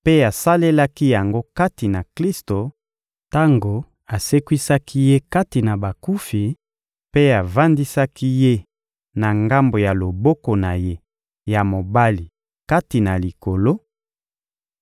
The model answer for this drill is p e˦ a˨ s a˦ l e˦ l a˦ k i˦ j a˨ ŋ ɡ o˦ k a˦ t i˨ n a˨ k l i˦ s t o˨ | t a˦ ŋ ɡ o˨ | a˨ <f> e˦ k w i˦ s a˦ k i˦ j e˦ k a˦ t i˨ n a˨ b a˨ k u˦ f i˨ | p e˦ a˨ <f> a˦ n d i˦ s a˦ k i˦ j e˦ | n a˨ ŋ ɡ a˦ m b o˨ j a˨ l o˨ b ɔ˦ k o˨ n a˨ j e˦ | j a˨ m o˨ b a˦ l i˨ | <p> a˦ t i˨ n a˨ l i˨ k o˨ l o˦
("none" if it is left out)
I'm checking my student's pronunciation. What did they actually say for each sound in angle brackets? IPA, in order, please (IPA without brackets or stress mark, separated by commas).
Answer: s, v, k